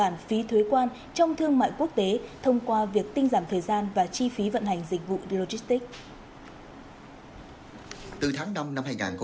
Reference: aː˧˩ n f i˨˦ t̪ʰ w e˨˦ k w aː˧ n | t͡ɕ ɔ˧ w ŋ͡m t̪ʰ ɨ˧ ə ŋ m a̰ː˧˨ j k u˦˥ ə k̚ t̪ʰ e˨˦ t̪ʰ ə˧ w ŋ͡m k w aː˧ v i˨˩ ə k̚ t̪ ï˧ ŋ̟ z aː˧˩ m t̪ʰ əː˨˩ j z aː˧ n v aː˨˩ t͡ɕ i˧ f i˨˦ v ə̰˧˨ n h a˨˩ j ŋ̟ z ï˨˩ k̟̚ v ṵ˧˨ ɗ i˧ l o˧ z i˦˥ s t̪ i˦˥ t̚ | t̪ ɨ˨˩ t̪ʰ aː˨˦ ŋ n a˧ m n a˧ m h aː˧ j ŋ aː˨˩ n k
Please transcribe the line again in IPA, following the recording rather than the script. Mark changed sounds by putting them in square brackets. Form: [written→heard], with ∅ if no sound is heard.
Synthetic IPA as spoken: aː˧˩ n f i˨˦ t̪ʰ w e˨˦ k w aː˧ n | t͡ɕ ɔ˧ w ŋ͡m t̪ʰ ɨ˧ ə ŋ m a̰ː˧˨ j k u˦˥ ə k̚ [t̪ʰ→t̪] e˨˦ t̪ʰ ə˧ w ŋ͡m k w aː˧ v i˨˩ ə k̚ t̪ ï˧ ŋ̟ z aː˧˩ m t̪ʰ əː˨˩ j z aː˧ n v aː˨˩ t͡ɕ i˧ f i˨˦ v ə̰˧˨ n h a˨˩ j ŋ̟ z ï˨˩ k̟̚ v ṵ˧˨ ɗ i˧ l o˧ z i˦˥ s t̪ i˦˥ [t̚→k̚] | t̪ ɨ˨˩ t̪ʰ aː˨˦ ŋ n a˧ m n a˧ m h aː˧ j ŋ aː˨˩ n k